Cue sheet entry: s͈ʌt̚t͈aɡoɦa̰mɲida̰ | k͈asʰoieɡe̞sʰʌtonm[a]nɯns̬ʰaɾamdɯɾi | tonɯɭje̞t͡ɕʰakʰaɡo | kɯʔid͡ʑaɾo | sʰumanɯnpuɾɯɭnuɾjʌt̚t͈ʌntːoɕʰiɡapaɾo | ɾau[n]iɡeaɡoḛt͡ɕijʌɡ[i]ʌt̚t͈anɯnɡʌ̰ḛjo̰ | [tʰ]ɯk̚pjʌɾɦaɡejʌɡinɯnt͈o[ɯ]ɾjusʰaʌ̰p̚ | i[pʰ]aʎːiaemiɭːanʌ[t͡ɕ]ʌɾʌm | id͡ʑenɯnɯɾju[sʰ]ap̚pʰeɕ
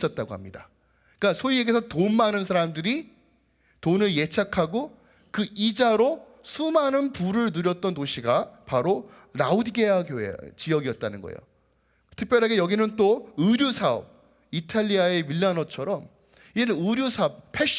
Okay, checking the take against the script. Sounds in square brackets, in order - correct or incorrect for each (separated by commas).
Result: correct, incorrect, correct, correct, correct, incorrect, incorrect, correct